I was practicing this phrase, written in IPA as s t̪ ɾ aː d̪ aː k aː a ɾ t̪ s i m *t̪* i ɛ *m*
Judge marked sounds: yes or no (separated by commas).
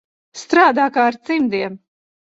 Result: no, yes